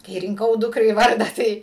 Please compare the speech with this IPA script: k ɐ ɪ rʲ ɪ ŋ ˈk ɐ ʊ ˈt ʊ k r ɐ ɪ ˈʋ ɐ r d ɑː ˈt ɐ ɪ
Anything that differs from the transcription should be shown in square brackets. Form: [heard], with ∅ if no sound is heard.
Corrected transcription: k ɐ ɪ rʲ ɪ ŋ ˈk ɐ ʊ [ˈd] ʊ k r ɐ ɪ ˈʋ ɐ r d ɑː ˈt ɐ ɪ